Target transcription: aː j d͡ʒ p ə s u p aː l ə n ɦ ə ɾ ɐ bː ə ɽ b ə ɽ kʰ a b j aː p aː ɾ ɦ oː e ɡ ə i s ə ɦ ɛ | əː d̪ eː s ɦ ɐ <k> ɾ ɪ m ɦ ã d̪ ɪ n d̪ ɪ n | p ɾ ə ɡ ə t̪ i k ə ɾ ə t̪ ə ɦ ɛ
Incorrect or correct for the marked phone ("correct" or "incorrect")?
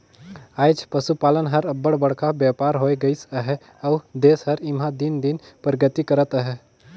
incorrect